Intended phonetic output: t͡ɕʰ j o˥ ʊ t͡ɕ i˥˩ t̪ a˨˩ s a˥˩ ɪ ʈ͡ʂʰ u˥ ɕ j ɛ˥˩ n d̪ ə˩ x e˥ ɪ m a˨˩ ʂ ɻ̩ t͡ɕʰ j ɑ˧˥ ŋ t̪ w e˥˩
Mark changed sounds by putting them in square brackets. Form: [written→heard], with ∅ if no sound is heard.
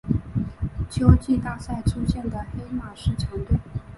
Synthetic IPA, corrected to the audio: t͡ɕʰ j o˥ ʊ t͡ɕ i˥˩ t̪ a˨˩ s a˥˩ ɪ ʈ͡ʂʰ u˥ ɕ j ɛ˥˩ n d̪ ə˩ x e˥ ɪ m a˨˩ ʂ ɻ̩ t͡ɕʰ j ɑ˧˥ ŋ t̪ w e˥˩